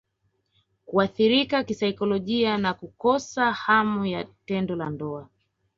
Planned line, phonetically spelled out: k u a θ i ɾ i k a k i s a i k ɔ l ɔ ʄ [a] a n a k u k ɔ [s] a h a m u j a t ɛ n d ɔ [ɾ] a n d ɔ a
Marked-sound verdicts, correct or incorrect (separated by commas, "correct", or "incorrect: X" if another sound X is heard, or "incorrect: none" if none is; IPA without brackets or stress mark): incorrect: i, correct, incorrect: l